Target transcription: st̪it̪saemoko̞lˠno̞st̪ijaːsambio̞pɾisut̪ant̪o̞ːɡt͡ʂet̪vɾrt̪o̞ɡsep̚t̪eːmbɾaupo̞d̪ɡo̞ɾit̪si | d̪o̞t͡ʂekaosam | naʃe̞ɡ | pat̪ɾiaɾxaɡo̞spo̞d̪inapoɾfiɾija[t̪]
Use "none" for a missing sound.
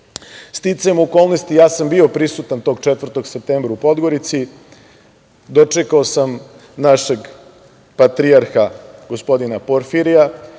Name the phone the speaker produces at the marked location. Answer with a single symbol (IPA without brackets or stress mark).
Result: none